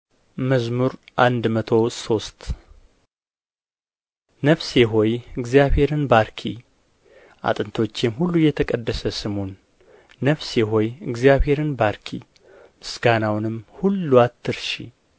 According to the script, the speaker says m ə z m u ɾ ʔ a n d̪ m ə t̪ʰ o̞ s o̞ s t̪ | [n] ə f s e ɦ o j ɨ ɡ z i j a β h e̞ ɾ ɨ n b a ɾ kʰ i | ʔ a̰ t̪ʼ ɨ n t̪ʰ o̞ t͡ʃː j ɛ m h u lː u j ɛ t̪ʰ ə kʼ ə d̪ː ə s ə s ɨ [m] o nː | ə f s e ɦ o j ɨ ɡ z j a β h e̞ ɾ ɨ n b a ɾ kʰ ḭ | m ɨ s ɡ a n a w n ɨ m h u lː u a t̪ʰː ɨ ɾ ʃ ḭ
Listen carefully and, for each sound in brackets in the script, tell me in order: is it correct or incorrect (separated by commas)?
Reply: correct, correct